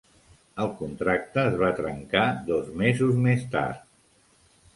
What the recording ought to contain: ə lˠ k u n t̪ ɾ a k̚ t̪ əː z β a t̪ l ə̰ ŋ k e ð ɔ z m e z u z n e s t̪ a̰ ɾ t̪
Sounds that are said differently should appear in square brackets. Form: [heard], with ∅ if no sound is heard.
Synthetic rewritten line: ə lˠ k u n t̪ ɾ a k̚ t̪ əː z β a t̪ [ɾ] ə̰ ŋ k [a] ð ɔ z m e z u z [m] e s t̪ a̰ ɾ t̪